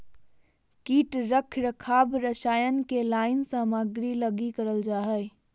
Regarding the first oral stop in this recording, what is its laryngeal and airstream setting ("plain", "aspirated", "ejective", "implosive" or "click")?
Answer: plain